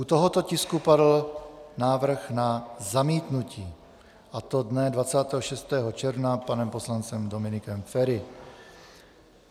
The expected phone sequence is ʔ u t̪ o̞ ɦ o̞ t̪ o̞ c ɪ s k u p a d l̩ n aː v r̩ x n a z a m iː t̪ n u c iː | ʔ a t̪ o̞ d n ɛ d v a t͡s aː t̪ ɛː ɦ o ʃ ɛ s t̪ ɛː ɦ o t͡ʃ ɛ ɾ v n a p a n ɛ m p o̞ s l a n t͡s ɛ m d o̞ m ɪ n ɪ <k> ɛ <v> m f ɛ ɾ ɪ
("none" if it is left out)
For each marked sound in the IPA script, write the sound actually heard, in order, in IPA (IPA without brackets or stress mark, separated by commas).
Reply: k, none